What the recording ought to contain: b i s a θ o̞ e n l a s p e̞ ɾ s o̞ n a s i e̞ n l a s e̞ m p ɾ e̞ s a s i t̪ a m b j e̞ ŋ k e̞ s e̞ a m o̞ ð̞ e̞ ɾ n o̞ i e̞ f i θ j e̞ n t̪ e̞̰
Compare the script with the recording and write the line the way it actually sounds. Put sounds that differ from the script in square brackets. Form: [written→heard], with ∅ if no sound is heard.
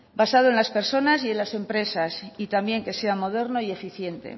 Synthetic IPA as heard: b [i→a] s a [θ→ð] o̞ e n l a s p e̞ ɾ s o̞ n a s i e̞ n l a s e̞ m p ɾ e̞ s a s i t̪ a m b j e̞ ŋ k e̞ s e̞ a m o̞ ð̞ e̞ ɾ n o̞ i e̞ f i θ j e̞ n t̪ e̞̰